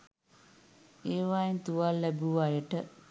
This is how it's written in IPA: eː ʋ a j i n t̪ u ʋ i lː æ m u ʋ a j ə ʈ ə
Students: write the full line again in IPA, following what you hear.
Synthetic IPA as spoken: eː ʋ a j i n t̪ u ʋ a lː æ b u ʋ a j ə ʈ ə